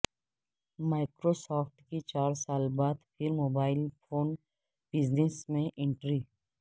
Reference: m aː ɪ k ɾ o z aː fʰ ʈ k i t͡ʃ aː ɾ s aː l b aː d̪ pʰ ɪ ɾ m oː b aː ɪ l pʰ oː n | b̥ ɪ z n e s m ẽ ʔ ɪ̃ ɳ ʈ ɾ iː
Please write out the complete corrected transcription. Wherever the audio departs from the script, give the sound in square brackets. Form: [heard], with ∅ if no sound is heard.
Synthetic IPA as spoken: m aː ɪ k ɾ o [s] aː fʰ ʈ k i t͡ʃ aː ɾ s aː l b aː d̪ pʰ ɪ ɾ m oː b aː ɪ l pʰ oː n | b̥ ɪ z n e s m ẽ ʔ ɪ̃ ɳ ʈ ɾ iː